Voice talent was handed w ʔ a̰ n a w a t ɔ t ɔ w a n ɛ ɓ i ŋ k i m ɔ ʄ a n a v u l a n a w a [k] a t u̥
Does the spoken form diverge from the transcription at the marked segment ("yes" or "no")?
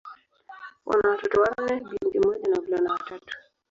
yes